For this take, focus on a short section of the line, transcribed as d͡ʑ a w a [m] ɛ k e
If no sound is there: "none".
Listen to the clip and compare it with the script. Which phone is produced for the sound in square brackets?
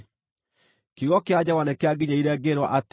n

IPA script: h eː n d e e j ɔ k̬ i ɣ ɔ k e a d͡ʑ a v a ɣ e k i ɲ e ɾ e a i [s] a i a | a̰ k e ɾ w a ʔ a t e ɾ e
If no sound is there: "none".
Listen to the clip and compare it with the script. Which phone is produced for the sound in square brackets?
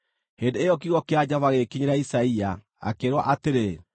s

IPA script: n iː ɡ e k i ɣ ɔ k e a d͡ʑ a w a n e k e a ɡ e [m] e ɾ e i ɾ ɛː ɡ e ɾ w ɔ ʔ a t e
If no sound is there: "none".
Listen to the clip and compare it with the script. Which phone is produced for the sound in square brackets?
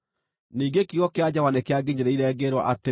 ɲ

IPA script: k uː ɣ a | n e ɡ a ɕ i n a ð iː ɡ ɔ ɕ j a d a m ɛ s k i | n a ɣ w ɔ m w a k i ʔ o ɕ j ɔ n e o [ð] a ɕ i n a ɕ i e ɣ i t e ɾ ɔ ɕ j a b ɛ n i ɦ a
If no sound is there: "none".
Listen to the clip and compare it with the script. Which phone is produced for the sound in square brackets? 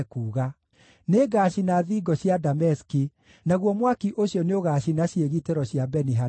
ɣ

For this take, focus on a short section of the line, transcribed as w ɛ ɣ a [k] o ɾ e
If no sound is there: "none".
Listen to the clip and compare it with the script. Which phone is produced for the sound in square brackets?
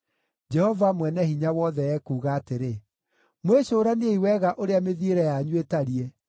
ʔ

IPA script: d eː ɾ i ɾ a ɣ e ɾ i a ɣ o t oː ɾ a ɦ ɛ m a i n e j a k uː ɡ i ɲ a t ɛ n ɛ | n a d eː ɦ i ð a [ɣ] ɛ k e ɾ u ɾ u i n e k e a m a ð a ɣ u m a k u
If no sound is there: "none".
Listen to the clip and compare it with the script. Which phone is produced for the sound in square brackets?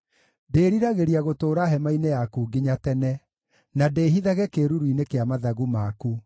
ɣ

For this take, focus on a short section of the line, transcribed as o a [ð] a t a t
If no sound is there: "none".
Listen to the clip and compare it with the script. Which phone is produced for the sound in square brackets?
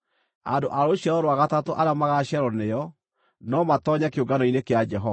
ɣ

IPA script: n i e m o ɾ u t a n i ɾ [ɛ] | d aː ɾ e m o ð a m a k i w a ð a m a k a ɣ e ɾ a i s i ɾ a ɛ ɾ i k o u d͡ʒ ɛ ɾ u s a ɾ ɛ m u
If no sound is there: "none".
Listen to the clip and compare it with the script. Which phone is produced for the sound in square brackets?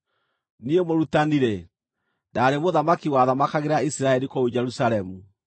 e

